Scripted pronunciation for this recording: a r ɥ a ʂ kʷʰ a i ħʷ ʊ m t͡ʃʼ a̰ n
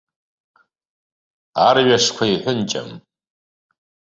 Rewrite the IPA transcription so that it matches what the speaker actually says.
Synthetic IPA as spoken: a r ɥ a ʂ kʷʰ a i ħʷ ʊ n t͡ʃʼ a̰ m